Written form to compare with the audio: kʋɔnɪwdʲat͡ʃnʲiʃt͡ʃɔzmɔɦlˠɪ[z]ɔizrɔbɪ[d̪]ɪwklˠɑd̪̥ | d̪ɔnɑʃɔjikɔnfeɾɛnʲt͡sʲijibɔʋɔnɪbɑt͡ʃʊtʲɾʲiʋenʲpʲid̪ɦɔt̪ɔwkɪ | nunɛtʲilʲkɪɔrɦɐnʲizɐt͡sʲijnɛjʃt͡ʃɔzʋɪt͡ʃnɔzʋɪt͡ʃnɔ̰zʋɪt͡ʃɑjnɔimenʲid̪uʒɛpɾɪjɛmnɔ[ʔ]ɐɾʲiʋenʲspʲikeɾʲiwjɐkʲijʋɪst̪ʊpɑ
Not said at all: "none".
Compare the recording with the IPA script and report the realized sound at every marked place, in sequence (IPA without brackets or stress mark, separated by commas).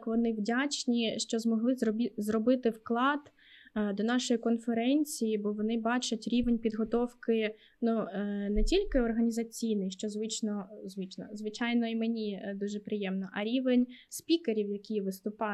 z, t̪, ʔ